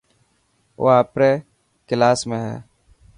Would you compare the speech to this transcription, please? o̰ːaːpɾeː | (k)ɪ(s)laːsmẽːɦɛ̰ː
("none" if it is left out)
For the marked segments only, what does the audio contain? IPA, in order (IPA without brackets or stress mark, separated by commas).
k, none